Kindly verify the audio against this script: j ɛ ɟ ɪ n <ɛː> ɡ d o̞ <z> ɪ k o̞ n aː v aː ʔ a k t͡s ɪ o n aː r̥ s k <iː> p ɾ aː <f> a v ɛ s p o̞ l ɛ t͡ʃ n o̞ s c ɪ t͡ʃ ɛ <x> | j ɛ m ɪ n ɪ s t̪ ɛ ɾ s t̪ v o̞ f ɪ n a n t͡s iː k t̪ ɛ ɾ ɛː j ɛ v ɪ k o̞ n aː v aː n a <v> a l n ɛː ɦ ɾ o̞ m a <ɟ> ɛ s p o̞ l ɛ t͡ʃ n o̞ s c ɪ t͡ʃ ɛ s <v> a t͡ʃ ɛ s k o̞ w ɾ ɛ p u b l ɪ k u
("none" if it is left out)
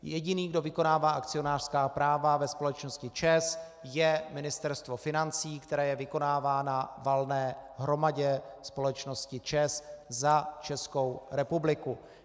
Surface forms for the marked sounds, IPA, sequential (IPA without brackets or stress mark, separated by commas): iː, v, aː, v, s, v, ɟ, z